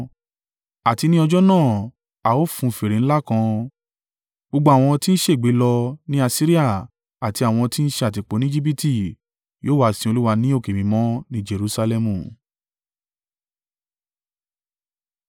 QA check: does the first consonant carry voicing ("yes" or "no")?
no